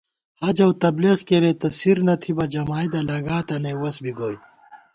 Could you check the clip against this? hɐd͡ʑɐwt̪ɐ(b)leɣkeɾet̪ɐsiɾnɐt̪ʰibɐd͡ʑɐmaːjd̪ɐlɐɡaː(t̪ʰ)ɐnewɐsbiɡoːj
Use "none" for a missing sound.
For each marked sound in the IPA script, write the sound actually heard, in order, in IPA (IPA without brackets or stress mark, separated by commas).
b, t̪